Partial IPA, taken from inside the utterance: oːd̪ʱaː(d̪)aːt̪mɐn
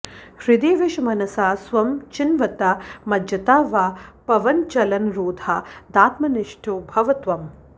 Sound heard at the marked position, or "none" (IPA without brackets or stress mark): d̪